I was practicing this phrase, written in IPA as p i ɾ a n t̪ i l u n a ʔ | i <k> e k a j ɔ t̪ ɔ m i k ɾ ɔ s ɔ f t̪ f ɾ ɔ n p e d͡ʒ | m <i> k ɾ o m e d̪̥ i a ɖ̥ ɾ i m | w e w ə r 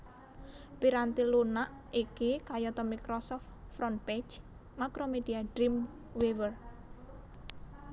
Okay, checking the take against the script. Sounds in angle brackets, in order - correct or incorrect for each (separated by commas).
correct, incorrect